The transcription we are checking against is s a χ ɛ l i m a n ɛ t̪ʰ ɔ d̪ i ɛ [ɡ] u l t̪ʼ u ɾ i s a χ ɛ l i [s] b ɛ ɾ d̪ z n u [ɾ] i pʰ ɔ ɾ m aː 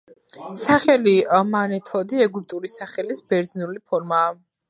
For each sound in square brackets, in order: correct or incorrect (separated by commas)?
correct, correct, incorrect